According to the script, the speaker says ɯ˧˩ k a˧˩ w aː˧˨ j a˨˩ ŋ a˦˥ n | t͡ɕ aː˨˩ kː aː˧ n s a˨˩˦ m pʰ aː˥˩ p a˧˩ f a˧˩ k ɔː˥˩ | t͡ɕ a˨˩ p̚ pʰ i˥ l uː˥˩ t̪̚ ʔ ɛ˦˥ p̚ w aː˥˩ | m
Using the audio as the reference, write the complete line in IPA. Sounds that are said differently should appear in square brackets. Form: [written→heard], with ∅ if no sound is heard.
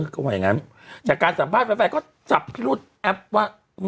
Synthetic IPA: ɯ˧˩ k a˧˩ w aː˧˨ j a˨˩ ŋ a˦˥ n | t͡ɕ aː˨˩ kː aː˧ n s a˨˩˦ m pʰ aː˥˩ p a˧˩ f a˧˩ k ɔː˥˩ | t͡ɕ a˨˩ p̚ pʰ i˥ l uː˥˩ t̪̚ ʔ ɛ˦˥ p̚ w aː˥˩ | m